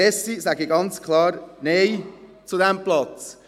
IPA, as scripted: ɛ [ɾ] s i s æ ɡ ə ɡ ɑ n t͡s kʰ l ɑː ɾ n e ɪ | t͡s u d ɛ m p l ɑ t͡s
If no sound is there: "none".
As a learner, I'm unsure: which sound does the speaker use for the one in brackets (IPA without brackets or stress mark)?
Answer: none